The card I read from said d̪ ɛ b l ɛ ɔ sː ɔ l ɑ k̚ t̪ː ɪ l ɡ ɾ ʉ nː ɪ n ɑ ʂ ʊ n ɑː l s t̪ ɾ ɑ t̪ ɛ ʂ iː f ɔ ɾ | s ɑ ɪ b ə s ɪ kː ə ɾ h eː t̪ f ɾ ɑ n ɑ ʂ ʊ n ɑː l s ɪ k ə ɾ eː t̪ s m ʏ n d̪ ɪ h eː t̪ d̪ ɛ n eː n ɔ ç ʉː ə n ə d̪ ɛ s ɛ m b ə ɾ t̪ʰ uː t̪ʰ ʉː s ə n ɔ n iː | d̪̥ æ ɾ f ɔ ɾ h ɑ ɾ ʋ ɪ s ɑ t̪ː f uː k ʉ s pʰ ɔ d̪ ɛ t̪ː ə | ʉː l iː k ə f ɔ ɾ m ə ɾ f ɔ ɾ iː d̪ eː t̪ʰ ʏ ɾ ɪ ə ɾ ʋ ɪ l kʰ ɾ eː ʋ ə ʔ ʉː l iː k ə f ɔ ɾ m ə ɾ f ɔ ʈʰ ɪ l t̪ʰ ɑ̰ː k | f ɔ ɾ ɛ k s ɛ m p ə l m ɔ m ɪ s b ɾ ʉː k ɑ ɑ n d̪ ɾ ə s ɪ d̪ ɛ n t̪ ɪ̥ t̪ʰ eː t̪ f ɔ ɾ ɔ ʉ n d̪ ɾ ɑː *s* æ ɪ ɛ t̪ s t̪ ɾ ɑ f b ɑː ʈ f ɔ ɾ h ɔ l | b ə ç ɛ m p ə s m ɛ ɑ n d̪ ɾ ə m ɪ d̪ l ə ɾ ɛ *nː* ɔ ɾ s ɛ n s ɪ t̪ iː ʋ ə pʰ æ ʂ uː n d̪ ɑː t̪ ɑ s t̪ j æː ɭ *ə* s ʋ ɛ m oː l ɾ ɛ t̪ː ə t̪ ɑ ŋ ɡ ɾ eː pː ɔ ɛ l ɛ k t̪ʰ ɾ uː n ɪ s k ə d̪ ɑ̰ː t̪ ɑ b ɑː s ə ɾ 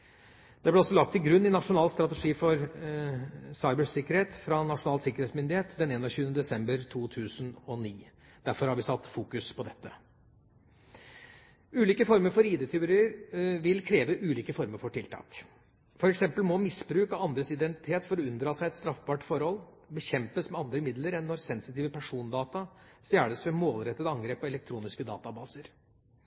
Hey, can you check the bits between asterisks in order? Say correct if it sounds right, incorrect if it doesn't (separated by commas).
correct, correct, correct